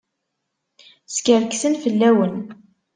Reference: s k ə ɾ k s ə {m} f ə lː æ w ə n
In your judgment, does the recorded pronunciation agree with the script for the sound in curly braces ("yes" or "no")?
no